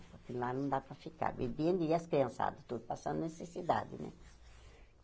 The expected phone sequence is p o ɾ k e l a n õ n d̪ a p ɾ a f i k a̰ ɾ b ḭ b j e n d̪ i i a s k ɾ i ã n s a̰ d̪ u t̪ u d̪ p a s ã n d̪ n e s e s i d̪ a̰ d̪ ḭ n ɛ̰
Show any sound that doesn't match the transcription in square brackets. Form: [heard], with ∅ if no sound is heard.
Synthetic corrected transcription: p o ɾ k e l a n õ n d̪ a p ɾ a f i k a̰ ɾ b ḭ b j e n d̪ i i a s k ɾ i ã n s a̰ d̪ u t̪ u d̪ p a s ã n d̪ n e s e s i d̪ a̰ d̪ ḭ n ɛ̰